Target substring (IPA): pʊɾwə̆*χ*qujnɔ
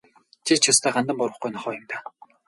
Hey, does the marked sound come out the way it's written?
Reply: yes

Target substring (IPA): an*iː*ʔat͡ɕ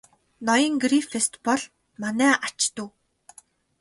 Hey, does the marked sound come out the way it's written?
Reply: no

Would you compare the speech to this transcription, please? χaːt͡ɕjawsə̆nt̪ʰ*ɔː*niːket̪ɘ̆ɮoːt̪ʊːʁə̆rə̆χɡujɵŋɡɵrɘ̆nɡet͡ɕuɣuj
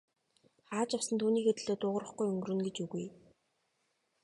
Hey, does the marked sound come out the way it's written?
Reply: no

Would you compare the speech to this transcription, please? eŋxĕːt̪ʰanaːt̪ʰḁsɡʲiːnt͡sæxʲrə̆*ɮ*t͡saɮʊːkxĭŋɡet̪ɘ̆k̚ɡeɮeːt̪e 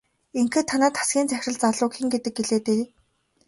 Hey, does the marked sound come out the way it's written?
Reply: yes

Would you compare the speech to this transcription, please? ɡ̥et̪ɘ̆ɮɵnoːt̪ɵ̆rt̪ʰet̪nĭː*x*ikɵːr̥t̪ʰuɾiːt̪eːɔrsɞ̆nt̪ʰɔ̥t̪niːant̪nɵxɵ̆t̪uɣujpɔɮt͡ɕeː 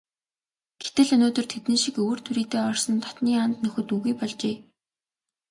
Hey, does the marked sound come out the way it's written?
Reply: no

